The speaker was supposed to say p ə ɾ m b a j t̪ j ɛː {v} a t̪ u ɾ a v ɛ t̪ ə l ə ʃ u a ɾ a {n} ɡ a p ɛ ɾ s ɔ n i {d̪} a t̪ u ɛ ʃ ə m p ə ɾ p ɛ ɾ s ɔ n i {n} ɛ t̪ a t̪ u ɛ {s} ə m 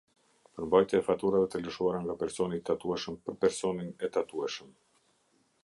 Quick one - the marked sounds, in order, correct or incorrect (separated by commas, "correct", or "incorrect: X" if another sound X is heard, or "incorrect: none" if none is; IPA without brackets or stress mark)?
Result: incorrect: f, incorrect: ŋ, incorrect: t̪, correct, incorrect: ʃ